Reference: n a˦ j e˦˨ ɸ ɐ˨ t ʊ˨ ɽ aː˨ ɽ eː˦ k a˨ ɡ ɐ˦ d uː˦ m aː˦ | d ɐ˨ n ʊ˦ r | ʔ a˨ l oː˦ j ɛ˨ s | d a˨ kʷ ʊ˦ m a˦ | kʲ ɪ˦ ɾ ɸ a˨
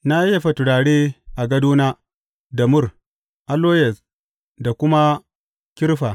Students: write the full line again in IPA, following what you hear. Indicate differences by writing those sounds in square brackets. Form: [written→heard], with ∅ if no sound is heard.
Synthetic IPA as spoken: n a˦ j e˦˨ ɸ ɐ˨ t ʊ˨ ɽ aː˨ ɽ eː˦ [k→ʔ] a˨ ɡ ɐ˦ d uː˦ [m→n] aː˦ | d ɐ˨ [n→m] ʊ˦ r | ʔ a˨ l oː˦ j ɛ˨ s | d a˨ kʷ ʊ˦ m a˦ | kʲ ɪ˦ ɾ ɸ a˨